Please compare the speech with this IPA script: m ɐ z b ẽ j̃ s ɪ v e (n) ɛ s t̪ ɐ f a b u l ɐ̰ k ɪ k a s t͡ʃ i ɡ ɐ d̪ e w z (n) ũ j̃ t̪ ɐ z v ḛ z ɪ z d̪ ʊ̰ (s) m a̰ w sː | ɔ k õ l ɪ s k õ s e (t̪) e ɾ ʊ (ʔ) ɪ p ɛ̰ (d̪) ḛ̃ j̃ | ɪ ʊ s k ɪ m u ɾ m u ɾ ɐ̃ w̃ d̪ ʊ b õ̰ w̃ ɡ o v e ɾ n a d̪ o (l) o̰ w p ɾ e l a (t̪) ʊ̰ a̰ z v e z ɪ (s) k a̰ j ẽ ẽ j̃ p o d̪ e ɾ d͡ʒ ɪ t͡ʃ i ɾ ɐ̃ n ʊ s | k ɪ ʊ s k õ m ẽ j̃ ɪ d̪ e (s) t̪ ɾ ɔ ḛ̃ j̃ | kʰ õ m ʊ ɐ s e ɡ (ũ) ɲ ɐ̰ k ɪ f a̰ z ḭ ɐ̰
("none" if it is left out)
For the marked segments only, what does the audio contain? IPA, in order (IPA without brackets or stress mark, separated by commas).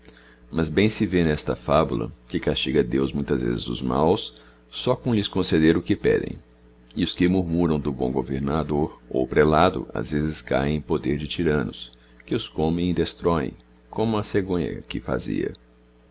n, m, z, d̪, k, d̪, ɾ, d̪, s, s, õ